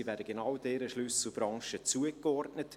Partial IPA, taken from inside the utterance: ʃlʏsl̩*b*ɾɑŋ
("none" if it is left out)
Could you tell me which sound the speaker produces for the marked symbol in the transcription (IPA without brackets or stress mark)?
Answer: b